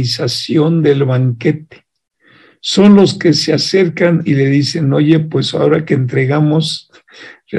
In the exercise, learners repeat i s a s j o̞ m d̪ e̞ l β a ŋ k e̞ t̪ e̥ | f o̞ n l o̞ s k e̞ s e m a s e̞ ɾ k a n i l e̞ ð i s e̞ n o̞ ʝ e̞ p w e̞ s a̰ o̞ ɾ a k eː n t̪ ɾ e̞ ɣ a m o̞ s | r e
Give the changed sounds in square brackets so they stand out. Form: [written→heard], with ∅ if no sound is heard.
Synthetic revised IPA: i s a s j o̞ [m→n] d̪ e̞ l β a ŋ k e̞ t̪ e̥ | [f→s] o̞ n l o̞ s k e̞ s e [m→∅] a s e̞ ɾ k a n i l e̞ ð i s e̞ n o̞ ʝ e̞ p w e̞ s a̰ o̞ ɾ a k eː n t̪ ɾ e̞ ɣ a m o̞ s | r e